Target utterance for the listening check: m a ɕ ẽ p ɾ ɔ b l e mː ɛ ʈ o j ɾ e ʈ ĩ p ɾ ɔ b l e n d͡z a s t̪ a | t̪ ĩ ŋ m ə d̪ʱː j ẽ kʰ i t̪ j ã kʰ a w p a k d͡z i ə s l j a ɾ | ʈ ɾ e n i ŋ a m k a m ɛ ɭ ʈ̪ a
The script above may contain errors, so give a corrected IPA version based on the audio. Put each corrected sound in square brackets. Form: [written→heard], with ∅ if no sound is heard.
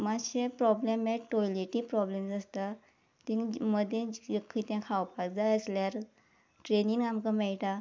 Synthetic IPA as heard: m a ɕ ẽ p ɾ ɔ b l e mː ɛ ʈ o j [ɾ→l] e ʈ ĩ p ɾ ɔ b l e [n→m] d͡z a s t̪ a | t̪ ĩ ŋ m ə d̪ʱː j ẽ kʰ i t̪ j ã kʰ a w p a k d͡z [i→a] ə s l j a ɾ | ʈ ɾ e n i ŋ a m k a m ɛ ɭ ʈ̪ a